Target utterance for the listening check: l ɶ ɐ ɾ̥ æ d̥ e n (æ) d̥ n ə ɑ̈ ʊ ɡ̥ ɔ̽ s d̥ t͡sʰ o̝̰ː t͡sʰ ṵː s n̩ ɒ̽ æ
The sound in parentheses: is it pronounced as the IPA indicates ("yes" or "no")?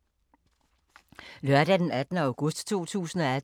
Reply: yes